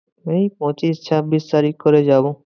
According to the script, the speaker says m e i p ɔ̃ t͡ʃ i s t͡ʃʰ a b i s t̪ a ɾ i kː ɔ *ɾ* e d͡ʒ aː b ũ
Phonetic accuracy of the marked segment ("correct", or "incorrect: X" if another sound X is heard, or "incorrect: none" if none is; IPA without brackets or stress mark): correct